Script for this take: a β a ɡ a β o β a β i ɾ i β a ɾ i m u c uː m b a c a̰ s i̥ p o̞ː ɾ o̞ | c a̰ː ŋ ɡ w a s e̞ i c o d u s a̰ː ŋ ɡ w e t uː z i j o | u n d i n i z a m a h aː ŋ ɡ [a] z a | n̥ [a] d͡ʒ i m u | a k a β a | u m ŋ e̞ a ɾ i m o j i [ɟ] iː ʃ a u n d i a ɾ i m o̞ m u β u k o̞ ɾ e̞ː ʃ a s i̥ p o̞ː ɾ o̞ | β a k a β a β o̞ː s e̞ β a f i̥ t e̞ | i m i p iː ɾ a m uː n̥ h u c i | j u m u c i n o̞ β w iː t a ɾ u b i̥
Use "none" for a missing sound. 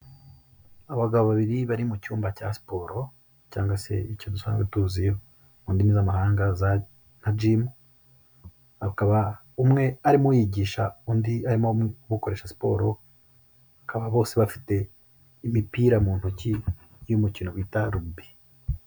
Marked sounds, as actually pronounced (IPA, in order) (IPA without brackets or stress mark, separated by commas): a, a, ɟ